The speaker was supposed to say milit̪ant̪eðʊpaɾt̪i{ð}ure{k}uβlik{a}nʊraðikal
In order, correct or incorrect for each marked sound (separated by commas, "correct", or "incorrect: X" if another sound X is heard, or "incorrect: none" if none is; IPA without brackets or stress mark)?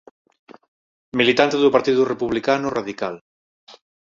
correct, incorrect: p, correct